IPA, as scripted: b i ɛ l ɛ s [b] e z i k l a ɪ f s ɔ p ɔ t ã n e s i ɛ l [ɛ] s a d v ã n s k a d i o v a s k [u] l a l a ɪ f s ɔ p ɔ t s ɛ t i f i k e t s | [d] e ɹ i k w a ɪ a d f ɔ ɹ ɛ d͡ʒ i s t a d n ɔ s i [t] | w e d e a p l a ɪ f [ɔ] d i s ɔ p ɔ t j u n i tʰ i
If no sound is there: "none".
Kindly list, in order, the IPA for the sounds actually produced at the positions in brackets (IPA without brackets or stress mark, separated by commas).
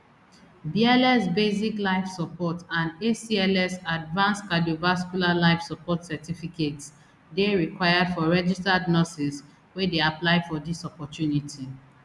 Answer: b, ɛ, u, d, s, ɔ